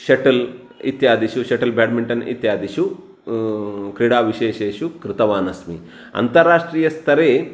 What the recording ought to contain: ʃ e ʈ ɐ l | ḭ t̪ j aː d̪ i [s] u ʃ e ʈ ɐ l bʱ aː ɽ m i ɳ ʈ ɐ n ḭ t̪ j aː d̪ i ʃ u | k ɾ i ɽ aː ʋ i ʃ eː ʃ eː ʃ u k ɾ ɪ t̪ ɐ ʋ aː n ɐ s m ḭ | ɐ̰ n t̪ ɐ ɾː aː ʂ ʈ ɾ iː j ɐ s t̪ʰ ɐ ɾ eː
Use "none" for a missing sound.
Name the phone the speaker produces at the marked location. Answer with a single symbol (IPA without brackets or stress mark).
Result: ʃ